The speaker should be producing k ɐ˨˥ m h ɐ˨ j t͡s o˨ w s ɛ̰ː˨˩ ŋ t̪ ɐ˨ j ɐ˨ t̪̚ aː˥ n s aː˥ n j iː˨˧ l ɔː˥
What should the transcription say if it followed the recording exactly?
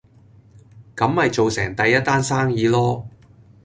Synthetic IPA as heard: k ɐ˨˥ m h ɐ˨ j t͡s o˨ w s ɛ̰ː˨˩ ŋ t̪ ɐ˨ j ɐ˥ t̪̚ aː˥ n s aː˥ ŋ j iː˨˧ l ɔː˥